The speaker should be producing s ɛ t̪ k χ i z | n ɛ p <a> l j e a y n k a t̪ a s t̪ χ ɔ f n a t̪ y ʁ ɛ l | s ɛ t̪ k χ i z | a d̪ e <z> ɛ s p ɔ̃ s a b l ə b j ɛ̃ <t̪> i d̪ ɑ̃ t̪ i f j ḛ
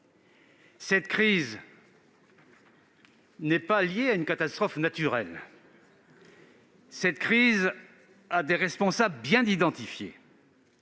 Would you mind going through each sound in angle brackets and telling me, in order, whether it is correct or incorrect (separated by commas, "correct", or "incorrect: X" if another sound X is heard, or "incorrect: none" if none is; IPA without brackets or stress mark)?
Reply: correct, incorrect: ʁ, incorrect: d̪